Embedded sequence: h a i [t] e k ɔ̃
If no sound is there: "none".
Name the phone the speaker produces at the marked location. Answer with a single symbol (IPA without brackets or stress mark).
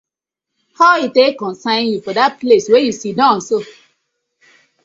t